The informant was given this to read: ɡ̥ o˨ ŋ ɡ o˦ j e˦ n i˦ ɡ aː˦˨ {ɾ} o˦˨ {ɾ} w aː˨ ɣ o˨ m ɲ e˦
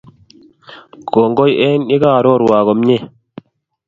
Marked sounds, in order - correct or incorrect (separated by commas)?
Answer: correct, correct